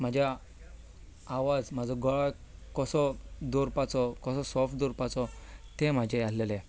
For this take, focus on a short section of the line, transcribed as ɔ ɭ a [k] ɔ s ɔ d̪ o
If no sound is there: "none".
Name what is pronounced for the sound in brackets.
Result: k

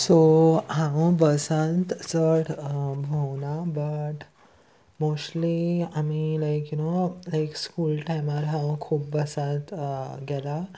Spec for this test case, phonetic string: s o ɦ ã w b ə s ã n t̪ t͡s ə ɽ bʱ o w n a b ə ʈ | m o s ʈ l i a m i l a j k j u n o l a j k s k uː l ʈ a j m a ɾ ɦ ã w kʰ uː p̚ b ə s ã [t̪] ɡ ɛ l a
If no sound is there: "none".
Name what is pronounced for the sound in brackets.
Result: t̪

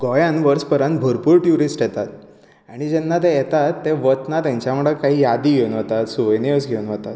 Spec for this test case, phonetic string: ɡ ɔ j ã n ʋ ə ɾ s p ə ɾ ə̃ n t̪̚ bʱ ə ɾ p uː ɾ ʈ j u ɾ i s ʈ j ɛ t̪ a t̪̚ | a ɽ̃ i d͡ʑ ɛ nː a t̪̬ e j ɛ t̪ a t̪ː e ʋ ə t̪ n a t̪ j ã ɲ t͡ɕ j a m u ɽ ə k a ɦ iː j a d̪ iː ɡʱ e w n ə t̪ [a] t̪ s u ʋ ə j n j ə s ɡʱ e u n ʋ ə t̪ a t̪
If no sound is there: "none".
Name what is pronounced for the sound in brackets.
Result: a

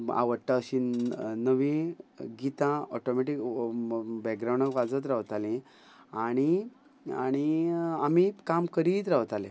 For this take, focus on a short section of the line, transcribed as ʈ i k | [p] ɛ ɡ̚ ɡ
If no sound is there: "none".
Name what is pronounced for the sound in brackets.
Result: b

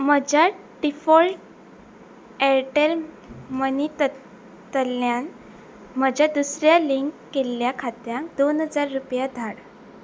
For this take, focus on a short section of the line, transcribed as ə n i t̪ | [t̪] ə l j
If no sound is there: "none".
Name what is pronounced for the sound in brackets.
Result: t̪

